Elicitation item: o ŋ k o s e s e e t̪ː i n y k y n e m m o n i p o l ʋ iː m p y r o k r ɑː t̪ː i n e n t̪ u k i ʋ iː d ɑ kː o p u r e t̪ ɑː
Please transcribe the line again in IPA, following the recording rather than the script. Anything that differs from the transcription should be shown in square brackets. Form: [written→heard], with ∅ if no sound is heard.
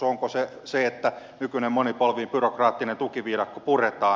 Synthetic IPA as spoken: o ŋ k o s e s e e t̪ː [i→æ] n y k y n e m m o n i p o l ʋ iː m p y r o k r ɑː t̪ː i n e n t̪ u k i ʋ iː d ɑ kː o p u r e t̪ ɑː